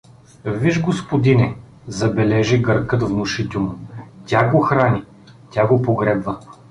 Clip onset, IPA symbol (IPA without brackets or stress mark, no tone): v